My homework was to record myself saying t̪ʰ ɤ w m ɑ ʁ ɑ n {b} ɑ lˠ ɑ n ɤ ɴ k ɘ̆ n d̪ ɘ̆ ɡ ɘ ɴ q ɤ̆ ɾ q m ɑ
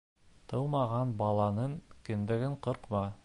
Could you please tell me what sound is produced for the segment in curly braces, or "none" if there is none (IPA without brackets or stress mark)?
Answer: b